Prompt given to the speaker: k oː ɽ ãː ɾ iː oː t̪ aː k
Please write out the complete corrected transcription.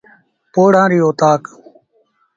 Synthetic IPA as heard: p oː ɽ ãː ɾ iː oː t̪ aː k